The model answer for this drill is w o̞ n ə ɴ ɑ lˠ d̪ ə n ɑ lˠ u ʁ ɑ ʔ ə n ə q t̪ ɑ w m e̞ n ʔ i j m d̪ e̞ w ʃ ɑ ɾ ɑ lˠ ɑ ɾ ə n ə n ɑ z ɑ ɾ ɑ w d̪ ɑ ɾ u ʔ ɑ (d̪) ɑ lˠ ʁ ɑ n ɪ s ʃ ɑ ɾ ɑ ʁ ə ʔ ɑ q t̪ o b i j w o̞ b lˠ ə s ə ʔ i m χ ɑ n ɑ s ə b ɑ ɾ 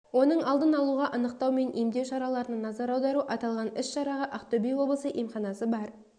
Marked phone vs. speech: incorrect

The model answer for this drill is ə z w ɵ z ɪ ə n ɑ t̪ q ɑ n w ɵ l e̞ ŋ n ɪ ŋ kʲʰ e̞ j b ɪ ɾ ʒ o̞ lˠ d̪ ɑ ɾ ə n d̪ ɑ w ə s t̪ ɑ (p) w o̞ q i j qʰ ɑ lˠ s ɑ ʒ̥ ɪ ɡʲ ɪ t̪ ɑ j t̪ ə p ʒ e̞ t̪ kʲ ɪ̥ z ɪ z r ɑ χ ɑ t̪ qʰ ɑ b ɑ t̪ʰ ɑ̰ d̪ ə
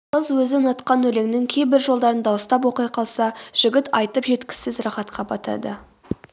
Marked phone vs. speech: correct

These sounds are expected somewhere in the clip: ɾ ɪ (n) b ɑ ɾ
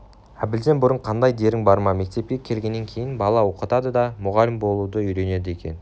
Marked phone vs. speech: incorrect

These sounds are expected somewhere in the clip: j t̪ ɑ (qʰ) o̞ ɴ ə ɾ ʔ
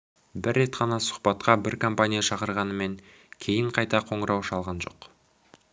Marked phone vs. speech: correct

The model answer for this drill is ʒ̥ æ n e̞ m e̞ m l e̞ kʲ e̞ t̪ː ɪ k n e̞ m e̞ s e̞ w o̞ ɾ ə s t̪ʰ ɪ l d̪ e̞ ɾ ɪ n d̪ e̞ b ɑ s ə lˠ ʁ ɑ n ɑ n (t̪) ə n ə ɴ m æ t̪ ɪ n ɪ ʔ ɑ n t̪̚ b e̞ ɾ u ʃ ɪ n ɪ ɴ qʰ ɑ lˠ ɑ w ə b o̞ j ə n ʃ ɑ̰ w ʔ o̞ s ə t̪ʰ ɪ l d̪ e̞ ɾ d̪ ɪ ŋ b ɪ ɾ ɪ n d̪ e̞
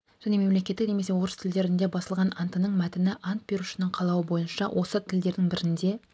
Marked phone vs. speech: correct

